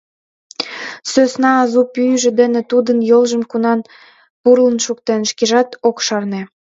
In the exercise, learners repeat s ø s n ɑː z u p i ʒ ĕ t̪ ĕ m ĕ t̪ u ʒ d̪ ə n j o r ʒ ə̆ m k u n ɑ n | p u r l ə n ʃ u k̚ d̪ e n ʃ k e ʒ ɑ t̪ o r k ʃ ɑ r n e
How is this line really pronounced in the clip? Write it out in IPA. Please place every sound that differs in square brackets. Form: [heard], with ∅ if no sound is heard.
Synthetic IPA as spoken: s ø s n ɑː z u p [y] ʒ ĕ [d̪] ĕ [n] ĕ t̪ u [∅] d̪ ə n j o [l] ʒ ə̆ m k u n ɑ n | p u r l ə n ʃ u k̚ [t̪] e n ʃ k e ʒ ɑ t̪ o [∅] k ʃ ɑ r n e